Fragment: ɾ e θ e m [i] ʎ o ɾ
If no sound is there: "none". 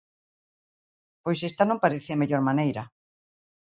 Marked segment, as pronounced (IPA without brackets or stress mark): e